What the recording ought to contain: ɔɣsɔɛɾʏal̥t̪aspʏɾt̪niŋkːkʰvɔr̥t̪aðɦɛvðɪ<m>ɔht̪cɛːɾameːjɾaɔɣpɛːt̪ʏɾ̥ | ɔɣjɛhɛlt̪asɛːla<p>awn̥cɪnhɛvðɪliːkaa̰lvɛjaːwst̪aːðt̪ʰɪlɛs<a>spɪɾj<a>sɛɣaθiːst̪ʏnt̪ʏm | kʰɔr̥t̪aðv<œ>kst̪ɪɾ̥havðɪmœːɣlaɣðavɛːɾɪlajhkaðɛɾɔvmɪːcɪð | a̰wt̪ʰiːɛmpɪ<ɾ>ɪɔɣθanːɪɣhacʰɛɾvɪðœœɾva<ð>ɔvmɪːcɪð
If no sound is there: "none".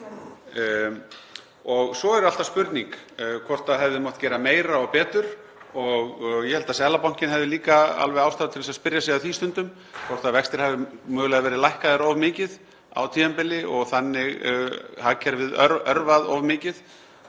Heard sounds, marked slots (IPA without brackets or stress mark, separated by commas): m, p, a, a, ɛ, l, ð